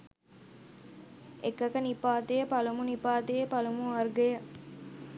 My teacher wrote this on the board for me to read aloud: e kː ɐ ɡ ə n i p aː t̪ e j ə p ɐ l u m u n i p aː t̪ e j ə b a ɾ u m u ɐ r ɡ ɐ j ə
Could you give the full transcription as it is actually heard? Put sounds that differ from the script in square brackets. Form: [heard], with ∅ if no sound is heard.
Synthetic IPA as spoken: e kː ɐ [k] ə n i p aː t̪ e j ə p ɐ l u m u n i p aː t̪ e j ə [p] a [l] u m u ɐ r ɡ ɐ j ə